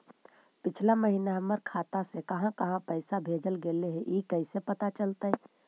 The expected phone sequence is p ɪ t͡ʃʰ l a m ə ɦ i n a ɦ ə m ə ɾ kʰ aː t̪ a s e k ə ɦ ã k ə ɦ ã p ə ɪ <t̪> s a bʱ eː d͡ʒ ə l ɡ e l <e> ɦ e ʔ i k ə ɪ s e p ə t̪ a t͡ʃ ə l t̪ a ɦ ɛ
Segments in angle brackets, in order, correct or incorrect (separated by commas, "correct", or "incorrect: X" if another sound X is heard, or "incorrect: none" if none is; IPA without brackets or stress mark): incorrect: none, correct